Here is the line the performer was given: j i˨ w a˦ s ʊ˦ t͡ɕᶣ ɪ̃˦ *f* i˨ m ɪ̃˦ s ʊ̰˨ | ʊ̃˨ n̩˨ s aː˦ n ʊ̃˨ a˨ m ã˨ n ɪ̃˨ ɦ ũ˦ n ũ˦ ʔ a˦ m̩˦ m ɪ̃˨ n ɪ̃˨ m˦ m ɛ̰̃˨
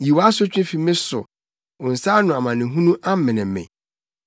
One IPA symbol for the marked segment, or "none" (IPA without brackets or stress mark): f